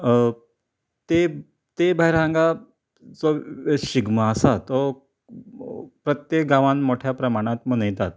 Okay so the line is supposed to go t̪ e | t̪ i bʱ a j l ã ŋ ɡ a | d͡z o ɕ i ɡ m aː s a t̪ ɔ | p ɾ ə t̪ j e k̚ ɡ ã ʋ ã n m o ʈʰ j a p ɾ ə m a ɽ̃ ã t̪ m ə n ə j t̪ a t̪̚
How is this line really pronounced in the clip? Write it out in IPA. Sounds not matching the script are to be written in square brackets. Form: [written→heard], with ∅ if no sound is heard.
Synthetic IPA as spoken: t̪ e | t̪ [i→e] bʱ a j [l→ɾ] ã ŋ ɡ a | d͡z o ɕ i ɡ m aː s a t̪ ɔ | p ɾ ə t̪ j e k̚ ɡ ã ʋ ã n m o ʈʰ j a p ɾ ə m a ɽ̃ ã t̪ m ə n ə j t̪ a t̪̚